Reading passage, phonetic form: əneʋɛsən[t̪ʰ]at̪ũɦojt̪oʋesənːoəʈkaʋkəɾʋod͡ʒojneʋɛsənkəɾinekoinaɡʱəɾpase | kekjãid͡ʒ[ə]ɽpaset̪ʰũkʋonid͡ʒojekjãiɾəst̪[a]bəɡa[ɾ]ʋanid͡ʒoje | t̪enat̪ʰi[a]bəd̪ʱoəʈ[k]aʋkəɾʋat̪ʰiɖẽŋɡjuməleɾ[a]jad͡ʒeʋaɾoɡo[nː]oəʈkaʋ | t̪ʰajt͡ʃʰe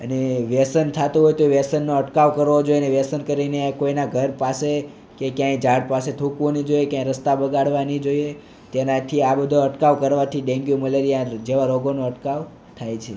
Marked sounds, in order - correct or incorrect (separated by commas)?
correct, incorrect, correct, incorrect, correct, correct, incorrect, incorrect